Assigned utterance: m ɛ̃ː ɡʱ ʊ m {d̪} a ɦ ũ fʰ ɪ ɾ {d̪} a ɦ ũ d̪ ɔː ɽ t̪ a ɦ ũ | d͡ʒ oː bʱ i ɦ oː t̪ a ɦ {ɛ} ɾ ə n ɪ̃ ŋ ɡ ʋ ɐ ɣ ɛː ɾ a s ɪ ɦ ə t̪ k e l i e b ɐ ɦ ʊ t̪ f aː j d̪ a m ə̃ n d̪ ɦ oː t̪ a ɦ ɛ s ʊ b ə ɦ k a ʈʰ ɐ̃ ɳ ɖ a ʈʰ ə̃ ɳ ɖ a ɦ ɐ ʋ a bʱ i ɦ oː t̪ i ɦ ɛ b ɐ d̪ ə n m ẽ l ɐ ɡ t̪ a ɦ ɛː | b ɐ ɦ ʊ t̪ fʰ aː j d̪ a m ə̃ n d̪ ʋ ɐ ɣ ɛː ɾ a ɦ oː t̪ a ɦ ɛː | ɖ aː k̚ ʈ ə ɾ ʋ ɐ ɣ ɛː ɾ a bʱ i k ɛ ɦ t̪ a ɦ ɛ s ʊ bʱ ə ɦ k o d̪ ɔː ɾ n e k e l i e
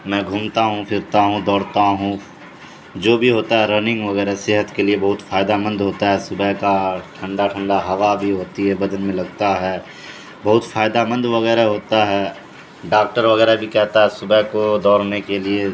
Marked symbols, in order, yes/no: no, no, yes

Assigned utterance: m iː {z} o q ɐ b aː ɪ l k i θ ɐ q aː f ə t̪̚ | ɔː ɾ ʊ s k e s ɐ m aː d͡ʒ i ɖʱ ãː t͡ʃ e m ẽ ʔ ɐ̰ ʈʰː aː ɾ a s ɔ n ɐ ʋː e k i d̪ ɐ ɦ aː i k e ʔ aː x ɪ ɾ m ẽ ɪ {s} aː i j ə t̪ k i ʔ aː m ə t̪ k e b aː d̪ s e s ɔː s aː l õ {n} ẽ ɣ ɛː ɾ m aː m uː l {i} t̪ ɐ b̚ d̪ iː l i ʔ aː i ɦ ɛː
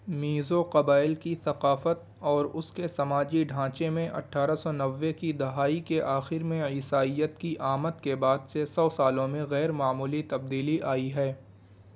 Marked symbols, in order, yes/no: yes, yes, no, yes

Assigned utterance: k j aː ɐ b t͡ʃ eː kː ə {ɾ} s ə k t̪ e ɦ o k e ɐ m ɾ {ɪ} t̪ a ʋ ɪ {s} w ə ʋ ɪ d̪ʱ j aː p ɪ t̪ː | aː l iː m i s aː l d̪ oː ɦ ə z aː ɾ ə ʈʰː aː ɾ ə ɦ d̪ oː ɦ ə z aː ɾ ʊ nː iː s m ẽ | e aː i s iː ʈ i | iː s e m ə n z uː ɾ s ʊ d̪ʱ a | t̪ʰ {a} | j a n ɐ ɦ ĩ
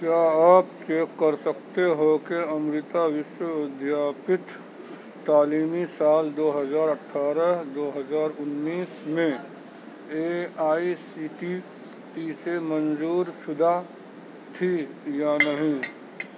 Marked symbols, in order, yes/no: yes, yes, no, no

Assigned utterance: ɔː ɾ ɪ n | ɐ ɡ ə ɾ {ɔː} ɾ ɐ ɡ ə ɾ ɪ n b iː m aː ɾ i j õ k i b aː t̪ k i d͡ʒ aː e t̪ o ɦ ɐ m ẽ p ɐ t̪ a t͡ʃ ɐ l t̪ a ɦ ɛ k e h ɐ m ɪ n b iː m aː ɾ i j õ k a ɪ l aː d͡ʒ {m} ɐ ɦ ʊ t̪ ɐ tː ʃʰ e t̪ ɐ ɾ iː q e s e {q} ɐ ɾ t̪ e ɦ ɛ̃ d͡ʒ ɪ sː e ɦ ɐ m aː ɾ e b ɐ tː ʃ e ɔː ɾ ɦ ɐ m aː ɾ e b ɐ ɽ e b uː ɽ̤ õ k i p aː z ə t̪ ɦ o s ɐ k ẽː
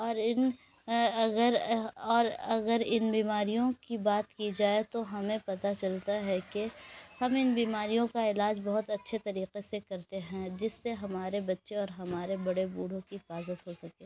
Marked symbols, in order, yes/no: yes, no, no

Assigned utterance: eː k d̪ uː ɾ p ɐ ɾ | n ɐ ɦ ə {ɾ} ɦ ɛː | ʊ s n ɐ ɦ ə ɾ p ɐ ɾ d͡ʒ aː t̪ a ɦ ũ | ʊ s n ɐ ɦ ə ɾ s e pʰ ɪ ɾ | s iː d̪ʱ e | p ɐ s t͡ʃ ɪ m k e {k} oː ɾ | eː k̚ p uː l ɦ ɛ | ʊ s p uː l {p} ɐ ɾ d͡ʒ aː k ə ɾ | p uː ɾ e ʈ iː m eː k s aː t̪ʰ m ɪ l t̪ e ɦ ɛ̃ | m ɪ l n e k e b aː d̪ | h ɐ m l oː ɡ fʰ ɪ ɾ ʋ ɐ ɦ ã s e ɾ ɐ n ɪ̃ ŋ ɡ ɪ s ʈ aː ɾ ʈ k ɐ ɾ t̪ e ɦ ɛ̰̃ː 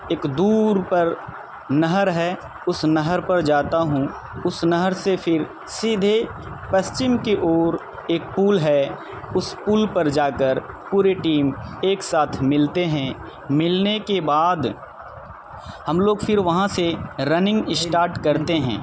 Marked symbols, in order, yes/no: yes, no, yes

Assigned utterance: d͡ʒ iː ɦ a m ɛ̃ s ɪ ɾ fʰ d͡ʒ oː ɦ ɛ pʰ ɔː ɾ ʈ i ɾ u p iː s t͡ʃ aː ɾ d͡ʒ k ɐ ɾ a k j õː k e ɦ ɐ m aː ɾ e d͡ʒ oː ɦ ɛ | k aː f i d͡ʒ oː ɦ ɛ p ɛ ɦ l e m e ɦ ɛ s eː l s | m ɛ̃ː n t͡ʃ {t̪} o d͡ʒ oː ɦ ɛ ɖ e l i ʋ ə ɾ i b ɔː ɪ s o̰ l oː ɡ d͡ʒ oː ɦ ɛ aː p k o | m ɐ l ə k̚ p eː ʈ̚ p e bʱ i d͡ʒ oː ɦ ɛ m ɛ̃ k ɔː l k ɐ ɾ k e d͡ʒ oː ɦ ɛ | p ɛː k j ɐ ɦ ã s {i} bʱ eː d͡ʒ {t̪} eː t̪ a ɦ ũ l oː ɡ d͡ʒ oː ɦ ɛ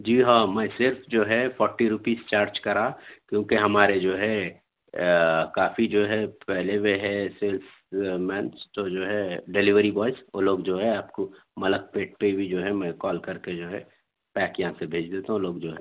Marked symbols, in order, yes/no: yes, no, no

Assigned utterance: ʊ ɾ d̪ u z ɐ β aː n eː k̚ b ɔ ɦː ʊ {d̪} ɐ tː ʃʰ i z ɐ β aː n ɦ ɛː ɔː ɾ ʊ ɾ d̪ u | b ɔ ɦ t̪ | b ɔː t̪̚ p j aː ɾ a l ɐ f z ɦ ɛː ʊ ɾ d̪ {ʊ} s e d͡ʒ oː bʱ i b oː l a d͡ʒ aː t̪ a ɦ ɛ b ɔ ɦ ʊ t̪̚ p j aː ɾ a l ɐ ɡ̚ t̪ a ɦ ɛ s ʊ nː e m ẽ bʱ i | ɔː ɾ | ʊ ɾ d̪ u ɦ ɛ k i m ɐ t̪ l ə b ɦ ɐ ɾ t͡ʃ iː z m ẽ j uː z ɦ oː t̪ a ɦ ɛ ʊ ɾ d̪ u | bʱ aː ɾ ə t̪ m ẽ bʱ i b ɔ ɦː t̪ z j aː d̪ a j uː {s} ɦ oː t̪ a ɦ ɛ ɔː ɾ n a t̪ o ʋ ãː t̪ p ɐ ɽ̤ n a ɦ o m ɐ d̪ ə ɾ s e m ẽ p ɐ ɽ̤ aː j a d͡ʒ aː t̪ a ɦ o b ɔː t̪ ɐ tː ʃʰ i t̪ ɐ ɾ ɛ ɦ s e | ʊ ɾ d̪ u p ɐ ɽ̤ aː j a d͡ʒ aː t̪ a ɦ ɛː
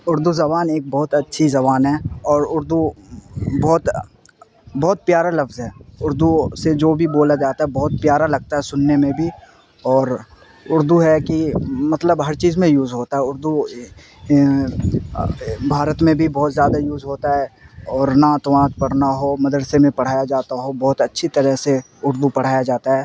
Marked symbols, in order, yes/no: no, no, no

